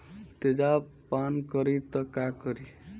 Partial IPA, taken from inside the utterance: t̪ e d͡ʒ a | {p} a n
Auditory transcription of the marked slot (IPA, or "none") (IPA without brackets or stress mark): p